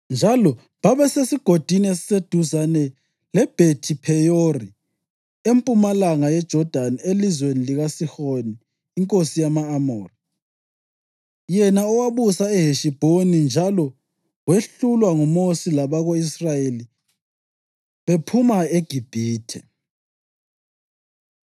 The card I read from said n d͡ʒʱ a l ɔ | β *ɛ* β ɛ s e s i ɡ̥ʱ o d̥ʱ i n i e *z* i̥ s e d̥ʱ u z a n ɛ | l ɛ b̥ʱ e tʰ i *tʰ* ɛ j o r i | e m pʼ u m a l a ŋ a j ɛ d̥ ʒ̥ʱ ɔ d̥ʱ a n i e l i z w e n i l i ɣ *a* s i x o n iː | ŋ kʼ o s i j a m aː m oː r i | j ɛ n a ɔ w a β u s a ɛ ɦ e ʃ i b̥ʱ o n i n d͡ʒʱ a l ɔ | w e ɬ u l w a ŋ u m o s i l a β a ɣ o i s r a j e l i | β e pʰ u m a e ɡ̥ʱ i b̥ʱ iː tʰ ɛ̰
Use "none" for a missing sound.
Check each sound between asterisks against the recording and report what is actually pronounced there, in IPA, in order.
a, s, pʰ, a

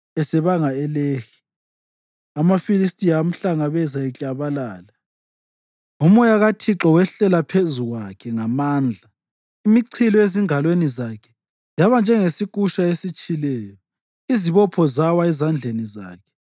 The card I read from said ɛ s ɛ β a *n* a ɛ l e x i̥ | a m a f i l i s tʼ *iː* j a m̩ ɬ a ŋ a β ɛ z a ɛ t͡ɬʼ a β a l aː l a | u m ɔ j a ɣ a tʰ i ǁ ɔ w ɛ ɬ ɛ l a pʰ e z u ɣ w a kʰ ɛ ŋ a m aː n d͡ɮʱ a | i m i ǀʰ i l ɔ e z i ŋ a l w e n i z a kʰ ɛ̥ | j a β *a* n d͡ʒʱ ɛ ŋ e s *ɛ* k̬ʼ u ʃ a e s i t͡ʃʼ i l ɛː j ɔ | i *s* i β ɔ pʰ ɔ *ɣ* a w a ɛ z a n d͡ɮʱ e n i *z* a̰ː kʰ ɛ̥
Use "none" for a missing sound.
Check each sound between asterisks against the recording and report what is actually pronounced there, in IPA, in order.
ŋ, i, a, i, z, z, z

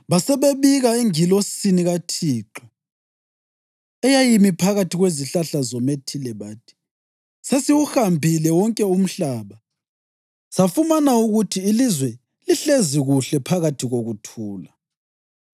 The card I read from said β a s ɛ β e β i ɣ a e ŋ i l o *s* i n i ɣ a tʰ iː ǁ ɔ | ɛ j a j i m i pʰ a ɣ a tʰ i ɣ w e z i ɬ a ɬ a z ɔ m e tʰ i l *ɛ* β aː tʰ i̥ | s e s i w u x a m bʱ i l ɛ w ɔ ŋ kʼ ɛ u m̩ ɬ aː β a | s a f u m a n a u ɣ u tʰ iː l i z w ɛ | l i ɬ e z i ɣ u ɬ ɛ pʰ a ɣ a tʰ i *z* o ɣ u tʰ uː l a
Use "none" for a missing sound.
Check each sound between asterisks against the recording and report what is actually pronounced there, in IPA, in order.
s, ɛ, ɣ

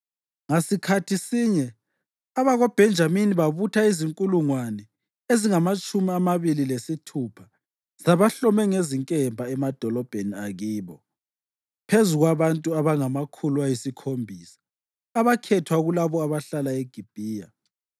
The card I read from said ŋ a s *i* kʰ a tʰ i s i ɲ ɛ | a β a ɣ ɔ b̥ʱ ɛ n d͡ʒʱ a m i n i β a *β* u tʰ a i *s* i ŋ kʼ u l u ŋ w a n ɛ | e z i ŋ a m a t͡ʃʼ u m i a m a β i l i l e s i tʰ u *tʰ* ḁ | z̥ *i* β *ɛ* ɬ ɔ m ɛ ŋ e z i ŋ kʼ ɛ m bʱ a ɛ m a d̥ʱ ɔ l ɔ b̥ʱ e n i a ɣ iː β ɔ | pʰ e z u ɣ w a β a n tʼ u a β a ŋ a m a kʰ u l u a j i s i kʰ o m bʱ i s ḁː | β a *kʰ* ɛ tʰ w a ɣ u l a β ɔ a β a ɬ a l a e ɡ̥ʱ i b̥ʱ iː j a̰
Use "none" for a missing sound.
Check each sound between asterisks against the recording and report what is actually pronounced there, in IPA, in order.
i, β, z, pʰ, a, a, kʰ

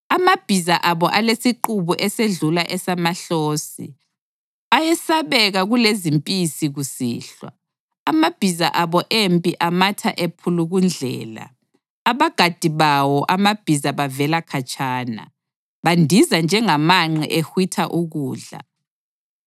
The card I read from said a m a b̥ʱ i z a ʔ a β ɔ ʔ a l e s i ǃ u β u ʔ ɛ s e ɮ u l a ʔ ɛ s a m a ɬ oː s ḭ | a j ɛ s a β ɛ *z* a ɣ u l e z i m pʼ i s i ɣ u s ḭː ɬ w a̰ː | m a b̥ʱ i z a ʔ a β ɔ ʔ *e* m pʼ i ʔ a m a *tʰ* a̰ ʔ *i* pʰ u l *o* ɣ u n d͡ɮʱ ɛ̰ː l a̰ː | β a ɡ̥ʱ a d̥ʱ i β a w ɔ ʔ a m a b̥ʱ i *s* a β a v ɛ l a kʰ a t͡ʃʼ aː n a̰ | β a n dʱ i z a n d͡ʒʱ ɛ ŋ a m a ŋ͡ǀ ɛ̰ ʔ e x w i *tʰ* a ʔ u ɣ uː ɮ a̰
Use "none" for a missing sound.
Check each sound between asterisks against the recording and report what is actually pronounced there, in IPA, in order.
ɣ, e, tʰ, e, u, z, tʰ

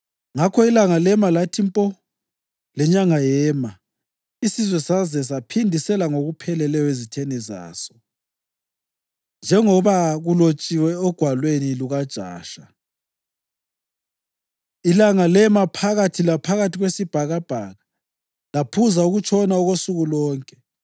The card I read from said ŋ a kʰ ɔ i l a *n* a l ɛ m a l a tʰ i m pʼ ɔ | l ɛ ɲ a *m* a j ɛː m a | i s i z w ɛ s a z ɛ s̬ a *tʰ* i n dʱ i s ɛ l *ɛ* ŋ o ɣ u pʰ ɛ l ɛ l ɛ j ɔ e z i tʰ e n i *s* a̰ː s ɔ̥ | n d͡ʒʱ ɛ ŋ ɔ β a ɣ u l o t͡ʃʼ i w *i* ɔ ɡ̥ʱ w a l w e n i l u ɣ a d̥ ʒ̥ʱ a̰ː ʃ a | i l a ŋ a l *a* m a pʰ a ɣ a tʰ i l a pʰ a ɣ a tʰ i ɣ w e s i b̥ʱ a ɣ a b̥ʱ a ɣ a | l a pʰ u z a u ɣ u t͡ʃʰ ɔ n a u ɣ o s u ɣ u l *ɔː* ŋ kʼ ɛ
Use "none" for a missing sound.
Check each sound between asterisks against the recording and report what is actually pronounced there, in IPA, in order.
ŋ, ŋ, pʰ, a, z, ɛ, ɛ, ɔː

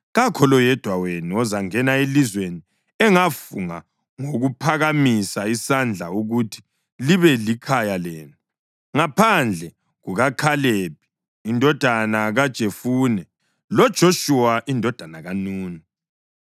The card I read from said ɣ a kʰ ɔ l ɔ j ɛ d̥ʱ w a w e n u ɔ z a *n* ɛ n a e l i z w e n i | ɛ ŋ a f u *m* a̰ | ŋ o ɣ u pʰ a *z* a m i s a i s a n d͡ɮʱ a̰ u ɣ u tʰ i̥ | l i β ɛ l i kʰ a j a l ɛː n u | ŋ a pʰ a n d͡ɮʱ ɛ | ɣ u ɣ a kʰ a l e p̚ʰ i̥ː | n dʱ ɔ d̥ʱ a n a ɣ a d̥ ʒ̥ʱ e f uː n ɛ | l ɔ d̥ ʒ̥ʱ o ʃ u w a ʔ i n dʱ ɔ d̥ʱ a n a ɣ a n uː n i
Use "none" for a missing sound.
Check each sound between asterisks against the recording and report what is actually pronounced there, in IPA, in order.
ŋ, ŋ, ɣ

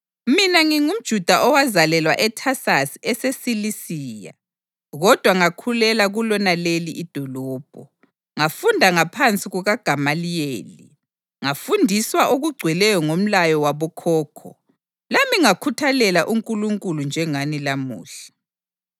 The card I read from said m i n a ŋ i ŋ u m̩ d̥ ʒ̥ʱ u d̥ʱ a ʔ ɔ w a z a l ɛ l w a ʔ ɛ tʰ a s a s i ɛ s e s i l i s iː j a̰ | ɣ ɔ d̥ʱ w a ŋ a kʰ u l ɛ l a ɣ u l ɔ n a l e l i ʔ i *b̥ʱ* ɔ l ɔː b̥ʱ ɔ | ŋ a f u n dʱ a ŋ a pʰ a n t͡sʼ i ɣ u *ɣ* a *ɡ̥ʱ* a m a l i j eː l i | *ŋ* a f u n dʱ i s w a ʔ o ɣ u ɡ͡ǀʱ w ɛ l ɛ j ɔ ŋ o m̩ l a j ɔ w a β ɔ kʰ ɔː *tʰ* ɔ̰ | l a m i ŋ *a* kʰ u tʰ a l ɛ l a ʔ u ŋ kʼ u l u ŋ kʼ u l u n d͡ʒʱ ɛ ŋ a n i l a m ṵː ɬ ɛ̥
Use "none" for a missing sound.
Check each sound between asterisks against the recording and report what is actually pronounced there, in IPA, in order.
d̥ʱ, ɣ, ɡ̥ʱ, ŋ, kʰ, a

